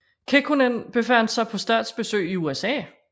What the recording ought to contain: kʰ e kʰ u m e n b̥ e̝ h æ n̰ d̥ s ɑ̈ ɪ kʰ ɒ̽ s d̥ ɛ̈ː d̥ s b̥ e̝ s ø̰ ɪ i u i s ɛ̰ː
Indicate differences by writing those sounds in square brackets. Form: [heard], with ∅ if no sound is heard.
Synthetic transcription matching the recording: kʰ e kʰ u [n] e n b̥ e̝ [f] æ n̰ d̥ s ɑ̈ ɪ [pʰ] ɒ̽ s d̥ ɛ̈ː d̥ s b̥ e̝ s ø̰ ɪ i u [e] s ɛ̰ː